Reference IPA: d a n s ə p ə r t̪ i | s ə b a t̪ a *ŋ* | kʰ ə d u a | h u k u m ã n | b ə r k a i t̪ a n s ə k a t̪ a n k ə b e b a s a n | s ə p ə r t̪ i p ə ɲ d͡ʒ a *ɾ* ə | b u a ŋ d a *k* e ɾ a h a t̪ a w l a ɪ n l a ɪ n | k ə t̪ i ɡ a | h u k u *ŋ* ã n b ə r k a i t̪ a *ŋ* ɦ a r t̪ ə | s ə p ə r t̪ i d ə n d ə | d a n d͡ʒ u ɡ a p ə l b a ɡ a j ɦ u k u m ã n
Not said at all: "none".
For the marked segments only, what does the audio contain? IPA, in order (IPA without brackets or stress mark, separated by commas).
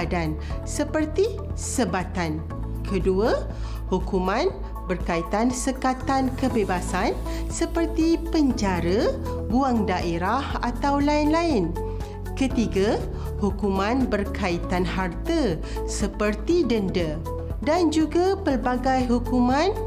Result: n, ɾ, ʔ, m, n